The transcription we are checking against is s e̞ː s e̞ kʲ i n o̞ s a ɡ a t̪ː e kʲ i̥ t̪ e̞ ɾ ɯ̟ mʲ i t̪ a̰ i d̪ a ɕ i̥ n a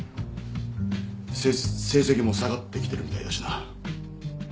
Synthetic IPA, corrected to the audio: s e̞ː s e̞ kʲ i m o̞ s a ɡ a t̪ː e kʲ i̥ t̪ e̞ ɾ ɯ̟ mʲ i t̪ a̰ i d̪ a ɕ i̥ n a